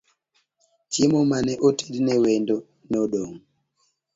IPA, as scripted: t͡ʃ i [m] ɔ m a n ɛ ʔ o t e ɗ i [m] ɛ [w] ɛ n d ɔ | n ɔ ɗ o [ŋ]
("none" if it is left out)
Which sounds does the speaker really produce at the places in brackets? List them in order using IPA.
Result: m, n, w, ŋ

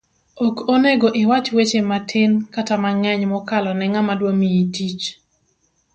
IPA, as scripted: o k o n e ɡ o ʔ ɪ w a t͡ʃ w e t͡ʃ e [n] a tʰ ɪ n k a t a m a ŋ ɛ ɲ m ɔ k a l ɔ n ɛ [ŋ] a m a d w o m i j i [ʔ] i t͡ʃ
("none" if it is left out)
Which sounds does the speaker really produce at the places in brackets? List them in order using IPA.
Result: m, ŋ, t

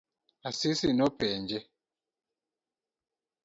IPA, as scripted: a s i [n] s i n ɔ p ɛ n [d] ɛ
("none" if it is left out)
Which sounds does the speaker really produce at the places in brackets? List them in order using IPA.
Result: none, d͡ʒ

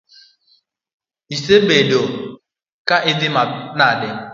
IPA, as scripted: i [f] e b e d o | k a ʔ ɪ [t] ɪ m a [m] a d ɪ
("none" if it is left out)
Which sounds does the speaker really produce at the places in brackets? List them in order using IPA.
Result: s, d, n

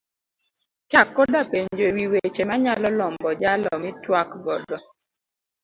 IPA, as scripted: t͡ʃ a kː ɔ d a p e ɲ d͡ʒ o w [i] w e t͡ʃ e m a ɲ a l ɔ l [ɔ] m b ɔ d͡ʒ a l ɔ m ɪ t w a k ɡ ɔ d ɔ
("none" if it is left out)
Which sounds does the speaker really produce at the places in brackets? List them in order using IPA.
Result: i, ɔ

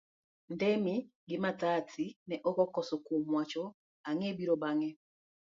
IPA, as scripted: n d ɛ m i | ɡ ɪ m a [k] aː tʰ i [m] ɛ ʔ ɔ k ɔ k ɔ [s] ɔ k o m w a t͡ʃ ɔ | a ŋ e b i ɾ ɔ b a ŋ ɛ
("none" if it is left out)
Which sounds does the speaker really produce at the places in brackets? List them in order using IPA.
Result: t, n, s

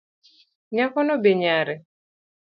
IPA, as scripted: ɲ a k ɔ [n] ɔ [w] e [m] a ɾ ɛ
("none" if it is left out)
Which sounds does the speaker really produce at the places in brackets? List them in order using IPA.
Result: n, b, ɲ

